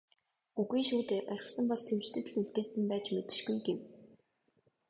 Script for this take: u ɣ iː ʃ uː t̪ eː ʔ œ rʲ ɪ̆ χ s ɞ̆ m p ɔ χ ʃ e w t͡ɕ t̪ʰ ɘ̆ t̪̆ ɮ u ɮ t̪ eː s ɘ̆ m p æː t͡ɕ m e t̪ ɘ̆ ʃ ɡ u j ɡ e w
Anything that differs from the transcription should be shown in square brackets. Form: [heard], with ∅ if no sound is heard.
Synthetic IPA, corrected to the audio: u ɣ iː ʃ uː t̪ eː ʔ œ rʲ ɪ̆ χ s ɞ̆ m p ɔ [s] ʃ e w t͡ɕ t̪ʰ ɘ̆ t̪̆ ɮ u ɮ t̪ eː s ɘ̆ m p æː t͡ɕ m e t̪ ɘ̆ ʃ ɡ u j ɡ e w

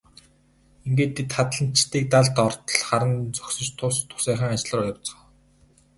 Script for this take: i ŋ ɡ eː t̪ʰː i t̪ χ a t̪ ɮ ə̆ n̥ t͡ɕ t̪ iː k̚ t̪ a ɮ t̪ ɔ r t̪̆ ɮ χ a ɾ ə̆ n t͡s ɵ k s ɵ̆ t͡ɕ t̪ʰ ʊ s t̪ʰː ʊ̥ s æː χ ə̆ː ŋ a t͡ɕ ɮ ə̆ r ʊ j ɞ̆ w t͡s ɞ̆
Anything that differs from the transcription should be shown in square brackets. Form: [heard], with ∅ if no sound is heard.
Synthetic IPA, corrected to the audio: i ŋ ɡ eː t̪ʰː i t̪ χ a t̪ ɮ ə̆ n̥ t͡ɕ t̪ iː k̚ t̪ a ɮ t̪ ɔ r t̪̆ ɮ χ a ɾ ə̆ n t͡s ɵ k s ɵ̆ t͡ɕ t̪ʰ ʊ s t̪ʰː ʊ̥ s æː χ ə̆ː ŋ a t͡ɕ ɮ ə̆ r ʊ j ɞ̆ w t͡s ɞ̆

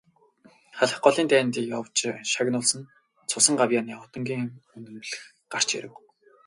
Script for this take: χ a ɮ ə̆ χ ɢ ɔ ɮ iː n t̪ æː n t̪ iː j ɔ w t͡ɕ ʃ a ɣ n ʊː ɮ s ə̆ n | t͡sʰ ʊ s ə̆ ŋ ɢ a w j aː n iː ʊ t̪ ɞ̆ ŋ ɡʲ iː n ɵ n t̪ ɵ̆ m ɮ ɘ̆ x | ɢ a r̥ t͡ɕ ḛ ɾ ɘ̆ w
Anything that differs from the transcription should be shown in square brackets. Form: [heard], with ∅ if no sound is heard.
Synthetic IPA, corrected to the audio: χ a ɮ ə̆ χ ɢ ɔ ɮ iː n t̪ æː n t̪ iː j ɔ w t͡ɕ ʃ a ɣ n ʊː ɮ s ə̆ n | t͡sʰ ʊ s ə̆ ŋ ɢ a w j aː n iː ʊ t̪ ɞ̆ ŋ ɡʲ iː [ŋ] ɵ n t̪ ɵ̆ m ɮ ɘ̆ x | ɢ a r̥ t͡ɕ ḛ ɾ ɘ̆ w

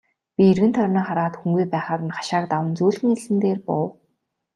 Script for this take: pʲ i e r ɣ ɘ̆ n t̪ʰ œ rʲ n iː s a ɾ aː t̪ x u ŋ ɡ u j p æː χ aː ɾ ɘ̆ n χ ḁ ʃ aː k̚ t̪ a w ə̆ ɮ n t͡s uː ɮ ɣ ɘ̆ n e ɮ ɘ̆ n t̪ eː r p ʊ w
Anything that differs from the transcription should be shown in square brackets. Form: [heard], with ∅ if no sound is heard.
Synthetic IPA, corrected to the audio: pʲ i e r ɣ ɘ̆ n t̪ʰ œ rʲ n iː [χ] a ɾ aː t̪ x u ŋ ɡ u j p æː χ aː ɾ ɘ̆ n χ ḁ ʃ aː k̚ t̪ a w ə̆ [∅] n t͡s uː ɮ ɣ ɘ̆ [ŋ] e ɮ ɘ̆ n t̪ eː r p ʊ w

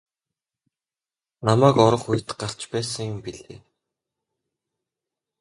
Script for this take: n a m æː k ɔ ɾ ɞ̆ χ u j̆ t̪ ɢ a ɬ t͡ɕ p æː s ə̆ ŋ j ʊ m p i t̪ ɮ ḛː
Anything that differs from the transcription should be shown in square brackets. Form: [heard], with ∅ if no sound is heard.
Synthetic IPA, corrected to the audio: n a m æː k ɔ ɾ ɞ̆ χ u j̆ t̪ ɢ a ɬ t͡ɕ p æː s ə̆ ŋ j ʊ m p i [∅] ɮ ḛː

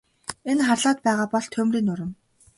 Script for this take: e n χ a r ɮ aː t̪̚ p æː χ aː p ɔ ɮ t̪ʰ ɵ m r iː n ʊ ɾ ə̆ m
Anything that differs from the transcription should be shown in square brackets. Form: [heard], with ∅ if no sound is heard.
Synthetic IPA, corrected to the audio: e n χ a r ɮ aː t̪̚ p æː [ʁ] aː p ɔ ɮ t̪ʰ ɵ m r iː n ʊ ɾ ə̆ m

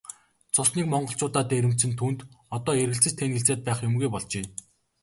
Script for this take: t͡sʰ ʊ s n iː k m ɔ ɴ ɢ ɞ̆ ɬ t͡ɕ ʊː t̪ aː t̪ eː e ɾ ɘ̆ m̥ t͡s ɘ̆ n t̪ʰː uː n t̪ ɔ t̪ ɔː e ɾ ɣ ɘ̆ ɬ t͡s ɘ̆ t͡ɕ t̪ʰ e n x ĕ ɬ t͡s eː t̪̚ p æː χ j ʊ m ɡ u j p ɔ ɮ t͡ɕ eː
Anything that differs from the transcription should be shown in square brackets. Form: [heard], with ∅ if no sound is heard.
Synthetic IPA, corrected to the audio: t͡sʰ ʊ s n iː k m ɔ ɴ ɢ ɞ̆ ɬ t͡ɕ ʊː t̪ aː t̪ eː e ɾ ɘ̆ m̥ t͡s ɘ̆ n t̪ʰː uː n t̪ ɔ t̪ ɔː e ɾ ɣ ɘ̆ ɬ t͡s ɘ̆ t͡ɕ t̪ʰ e n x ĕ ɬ t͡s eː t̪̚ p æː χ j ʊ m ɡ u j p ɔ ɮ t͡ɕ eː

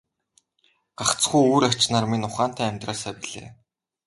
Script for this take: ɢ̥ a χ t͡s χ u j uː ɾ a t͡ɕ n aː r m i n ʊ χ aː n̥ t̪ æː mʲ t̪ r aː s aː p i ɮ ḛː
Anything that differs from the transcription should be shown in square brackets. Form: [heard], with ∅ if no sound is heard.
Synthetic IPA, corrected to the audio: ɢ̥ a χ t͡s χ u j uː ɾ a t͡ɕ n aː r m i n ʊ χ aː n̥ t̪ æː mʲ t̪ r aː s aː p i ɮ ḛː

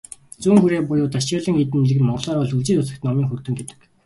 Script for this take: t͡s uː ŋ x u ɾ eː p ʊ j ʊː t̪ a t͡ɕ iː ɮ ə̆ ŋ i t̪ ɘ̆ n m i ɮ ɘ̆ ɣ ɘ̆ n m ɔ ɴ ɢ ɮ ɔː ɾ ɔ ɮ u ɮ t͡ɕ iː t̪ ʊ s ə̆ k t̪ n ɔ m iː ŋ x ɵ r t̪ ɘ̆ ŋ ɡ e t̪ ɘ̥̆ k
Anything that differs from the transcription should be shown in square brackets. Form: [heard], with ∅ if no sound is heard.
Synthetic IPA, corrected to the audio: t͡s uː ŋ x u ɾ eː p ʊ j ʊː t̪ a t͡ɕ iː ɮ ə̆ ŋ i t̪ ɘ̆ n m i ɮ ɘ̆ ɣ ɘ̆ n m ɔ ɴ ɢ ɮ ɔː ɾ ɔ ɮ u ɮ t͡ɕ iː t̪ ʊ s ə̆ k t̪ n ɔ m iː ŋ x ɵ r t̪ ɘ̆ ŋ ɡ e t̪ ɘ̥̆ k

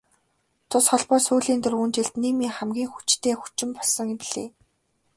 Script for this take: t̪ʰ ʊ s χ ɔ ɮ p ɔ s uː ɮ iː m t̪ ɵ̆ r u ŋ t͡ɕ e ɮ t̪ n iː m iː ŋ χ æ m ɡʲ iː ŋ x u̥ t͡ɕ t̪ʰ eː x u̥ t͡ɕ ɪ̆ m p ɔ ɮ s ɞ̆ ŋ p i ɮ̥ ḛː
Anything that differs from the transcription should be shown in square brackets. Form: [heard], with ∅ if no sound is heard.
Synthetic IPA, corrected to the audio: t̪ʰ ʊ s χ ɔ ɮ p [ɔː] s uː ɮ iː [n] t̪ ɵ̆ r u [n] t͡ɕ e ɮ t̪ n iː m iː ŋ χ æ m ɡʲ iː ŋ x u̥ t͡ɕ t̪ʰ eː x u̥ t͡ɕ ɪ̆ m p ɔ ɮ s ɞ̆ ŋ p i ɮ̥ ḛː

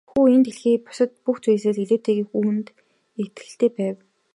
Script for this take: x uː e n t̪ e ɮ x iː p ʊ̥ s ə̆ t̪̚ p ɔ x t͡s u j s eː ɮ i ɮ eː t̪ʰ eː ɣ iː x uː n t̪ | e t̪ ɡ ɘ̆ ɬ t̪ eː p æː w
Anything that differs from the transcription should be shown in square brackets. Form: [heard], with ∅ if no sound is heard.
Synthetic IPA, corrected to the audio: x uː e n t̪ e ɮ x iː p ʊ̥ s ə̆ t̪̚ p [u] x t͡s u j s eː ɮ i ɮ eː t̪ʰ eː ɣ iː x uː n t̪ | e t̪ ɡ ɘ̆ ɬ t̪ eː p æː w

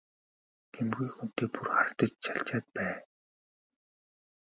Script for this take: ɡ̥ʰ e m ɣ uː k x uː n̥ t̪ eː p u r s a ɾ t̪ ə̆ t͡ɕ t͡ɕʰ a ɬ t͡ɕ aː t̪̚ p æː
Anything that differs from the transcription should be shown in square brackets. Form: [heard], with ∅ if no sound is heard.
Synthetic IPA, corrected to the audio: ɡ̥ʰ e m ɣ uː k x [u] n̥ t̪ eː p u r [χ] a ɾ t̪ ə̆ t͡ɕ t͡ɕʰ a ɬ t͡ɕ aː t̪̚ p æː

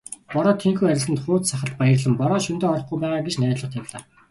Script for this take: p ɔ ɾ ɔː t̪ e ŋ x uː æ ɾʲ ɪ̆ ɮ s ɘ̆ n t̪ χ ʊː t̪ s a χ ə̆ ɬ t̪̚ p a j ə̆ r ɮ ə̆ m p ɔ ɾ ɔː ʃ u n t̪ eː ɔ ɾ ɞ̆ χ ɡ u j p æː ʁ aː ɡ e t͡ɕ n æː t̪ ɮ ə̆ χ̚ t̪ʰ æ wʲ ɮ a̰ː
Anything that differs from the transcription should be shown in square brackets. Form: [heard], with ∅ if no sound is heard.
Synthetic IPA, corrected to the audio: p ɔ ɾ ɔː [t̪ʰ] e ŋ x uː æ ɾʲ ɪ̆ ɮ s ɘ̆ n t̪ χ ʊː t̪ s a χ ə̆ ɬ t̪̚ p a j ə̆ r ɮ ə̆ m p ɔ ɾ ɔː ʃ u n t̪ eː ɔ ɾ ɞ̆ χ ɡ u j p æː ʁ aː ɡ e t͡ɕ n æː t̪ ɮ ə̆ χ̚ t̪ʰ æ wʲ ɮ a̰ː

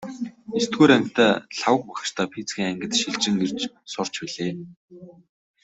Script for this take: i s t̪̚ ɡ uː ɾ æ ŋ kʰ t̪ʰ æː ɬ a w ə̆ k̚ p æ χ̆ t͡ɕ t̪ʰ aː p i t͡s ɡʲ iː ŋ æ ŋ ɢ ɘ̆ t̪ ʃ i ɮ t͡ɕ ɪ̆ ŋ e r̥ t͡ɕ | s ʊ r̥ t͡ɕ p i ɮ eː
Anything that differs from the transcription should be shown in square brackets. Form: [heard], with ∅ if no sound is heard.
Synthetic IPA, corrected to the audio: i s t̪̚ ɡ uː ɾ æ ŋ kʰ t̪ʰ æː ɬ a w ə̆ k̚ p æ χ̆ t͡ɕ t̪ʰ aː [pʰ] i t͡s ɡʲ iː ŋ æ ŋ [ɡ] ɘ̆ t̪ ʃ i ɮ t͡ɕ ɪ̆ ŋ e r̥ t͡ɕ | s ʊ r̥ t͡ɕ p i ɮ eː

